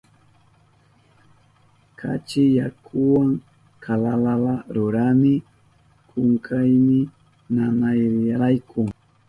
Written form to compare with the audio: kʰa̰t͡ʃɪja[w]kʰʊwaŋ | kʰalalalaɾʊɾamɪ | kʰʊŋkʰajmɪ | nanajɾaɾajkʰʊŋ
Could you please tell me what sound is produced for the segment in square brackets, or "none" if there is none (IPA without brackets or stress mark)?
none